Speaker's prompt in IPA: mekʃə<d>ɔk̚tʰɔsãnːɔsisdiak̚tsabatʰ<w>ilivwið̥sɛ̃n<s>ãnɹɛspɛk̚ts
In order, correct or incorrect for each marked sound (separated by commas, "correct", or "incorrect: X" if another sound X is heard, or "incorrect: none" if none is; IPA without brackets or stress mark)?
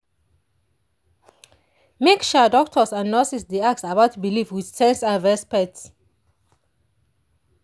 correct, incorrect: b, correct